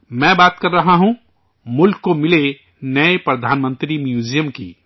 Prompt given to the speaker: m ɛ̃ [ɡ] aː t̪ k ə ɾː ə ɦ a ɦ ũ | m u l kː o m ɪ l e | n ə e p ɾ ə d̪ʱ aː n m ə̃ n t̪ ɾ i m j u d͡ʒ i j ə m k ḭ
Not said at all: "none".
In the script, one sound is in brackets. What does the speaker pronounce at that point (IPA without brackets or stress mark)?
b